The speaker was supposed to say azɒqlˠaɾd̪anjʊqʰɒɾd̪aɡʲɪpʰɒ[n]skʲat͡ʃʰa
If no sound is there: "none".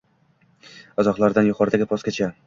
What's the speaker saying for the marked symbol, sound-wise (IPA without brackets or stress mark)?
none